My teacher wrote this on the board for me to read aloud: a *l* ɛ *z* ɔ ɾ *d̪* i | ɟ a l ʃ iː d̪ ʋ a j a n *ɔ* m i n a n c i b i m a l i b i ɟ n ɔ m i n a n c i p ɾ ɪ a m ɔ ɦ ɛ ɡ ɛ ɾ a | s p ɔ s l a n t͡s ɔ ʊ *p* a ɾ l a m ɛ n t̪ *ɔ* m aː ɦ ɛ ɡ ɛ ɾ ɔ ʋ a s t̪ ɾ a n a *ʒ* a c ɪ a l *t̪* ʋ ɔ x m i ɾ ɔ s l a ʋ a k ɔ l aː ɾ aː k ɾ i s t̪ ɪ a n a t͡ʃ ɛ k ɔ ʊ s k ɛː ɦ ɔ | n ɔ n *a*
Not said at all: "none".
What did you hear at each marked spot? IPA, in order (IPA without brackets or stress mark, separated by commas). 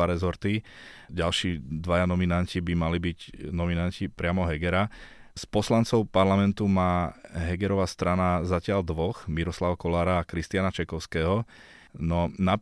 ɾ, z, t̪, ɔ, p, u, z, d̪, a